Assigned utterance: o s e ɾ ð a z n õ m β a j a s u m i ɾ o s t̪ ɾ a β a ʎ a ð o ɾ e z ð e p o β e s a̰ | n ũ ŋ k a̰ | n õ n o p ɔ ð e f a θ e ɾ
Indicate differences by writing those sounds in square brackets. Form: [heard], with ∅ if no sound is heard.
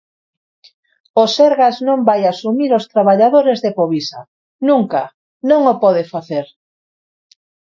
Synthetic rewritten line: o s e ɾ [ɣ] a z n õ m [b] a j a s u m i ɾ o s t̪ ɾ a β a ʎ a ð o ɾ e z ð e p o β [i] s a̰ | n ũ ŋ k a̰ | n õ [ŋ] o p ɔ ð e f a θ e ɾ